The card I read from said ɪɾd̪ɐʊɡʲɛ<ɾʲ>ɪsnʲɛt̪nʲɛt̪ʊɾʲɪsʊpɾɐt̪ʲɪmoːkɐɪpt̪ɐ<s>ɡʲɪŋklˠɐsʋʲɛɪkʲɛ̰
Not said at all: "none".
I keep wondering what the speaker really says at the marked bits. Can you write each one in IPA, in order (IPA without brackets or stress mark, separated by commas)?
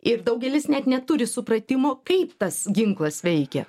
lʲ, s